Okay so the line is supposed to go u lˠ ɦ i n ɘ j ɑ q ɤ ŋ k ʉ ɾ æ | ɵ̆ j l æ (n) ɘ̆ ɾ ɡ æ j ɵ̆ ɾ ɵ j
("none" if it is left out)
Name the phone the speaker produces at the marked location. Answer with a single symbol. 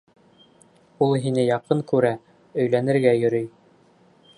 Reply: n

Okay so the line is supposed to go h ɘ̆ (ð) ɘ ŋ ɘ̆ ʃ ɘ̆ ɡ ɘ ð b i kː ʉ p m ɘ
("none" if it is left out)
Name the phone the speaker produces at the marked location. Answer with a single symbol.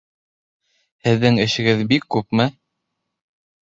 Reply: ðː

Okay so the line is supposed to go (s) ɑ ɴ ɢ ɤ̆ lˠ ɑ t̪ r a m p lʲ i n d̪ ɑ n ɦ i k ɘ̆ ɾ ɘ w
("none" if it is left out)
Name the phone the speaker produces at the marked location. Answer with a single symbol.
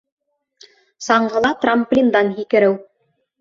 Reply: s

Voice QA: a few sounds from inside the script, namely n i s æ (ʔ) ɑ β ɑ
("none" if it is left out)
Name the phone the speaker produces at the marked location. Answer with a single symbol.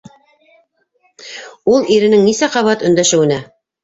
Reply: q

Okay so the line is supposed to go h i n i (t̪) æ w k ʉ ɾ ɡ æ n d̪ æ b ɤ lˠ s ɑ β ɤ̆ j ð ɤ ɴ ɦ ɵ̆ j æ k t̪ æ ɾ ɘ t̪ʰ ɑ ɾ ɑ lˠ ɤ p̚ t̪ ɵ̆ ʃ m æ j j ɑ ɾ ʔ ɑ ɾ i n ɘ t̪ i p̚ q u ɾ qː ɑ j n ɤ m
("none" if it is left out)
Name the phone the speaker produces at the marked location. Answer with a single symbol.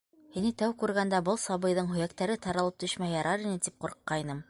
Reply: t̪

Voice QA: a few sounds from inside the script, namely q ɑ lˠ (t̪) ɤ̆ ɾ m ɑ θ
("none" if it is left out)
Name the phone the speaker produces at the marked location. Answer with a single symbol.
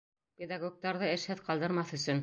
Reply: d̪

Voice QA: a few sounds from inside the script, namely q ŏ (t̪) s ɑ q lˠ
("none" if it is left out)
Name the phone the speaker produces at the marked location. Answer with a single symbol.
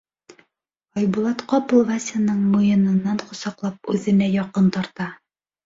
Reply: none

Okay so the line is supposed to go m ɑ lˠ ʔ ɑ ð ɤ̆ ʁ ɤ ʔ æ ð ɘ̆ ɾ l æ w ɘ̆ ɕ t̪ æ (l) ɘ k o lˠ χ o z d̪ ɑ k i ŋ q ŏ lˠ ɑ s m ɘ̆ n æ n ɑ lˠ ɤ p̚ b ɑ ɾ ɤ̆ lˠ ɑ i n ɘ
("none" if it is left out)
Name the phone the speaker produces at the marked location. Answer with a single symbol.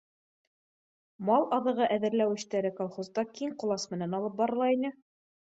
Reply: ɾ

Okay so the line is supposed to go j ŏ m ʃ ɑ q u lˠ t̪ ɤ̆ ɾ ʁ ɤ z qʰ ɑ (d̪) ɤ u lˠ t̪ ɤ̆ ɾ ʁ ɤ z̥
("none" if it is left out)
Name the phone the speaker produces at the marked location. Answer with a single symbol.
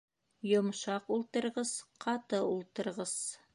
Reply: t̪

